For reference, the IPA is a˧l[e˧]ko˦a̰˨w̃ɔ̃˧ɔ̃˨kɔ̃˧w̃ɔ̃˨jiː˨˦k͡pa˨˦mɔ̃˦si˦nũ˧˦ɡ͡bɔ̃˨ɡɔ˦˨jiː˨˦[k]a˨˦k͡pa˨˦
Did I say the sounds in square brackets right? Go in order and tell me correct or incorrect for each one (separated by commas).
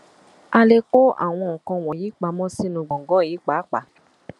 correct, incorrect